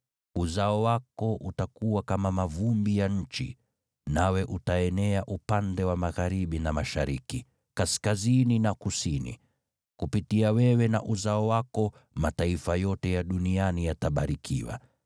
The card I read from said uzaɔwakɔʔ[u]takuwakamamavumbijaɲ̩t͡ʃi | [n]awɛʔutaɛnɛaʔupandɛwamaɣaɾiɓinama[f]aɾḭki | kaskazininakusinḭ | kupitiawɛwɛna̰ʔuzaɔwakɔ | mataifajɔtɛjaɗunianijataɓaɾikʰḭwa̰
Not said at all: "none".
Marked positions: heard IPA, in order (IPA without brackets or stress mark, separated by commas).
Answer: u, n, ʃ